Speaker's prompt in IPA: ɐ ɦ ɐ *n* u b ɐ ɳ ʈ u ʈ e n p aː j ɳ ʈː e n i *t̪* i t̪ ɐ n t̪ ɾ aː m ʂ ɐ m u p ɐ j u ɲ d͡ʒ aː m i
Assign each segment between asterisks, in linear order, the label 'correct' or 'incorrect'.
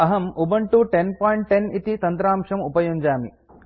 incorrect, correct

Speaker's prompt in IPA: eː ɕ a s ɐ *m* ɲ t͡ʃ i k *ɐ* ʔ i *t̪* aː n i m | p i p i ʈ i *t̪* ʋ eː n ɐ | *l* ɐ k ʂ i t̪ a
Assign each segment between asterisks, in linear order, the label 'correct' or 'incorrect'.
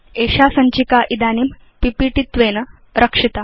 incorrect, incorrect, incorrect, correct, incorrect

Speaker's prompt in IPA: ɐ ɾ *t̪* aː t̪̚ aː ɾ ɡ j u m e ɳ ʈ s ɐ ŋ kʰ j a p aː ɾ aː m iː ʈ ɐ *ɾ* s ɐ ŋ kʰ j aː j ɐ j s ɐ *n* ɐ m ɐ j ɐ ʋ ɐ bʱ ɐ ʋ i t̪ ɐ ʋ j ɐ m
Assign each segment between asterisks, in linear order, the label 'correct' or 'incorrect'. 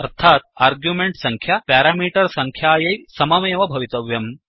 incorrect, correct, incorrect

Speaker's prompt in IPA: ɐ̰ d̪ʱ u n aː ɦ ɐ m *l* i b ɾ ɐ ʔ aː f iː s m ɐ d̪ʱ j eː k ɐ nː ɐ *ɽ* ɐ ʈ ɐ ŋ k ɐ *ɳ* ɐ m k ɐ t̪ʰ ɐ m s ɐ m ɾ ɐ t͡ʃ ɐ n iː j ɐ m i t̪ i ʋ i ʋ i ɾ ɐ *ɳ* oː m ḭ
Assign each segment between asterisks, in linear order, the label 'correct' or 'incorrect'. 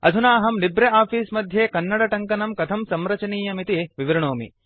correct, correct, incorrect, correct

